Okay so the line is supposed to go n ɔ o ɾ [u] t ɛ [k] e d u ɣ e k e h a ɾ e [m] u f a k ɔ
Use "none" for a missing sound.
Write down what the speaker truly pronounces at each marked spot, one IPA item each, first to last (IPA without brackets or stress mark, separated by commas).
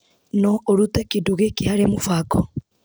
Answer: u, k, m